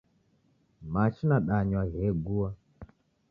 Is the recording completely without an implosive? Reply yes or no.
no